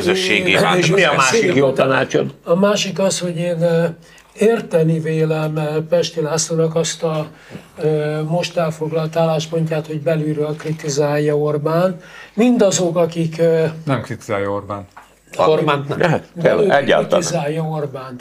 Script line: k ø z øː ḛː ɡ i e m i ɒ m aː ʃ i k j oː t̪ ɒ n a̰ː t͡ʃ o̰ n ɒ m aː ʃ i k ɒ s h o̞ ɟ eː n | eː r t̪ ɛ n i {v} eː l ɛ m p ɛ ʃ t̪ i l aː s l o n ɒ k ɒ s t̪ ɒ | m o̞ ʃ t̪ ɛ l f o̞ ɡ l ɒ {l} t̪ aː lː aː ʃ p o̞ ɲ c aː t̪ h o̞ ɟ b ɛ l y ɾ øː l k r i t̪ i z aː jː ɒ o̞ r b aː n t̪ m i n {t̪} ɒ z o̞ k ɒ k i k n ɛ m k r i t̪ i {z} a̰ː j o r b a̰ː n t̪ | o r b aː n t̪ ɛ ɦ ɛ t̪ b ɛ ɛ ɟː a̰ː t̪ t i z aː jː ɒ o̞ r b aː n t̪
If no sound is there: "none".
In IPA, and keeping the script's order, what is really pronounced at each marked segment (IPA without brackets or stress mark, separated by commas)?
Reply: v, l, d̪, z